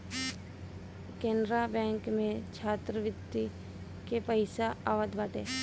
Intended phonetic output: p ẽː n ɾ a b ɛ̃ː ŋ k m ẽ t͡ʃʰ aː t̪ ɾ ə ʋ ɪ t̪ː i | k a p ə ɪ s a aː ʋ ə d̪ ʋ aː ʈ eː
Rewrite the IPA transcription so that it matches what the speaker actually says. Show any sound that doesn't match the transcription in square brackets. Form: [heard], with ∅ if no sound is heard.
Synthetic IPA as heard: [k] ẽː n ɾ a b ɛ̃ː ŋ k m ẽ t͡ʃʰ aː t̪ ɾ ə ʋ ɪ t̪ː i | k [e] p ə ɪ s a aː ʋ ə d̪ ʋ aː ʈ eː